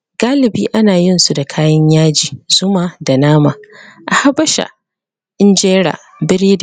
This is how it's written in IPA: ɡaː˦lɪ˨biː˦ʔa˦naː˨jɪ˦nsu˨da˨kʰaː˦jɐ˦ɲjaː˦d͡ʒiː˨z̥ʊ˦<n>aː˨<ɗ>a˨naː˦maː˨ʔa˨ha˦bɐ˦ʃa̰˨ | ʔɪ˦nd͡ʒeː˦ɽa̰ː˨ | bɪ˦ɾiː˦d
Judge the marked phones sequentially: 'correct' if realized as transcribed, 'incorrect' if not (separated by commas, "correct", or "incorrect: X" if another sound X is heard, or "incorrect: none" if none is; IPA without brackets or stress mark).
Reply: incorrect: m, incorrect: d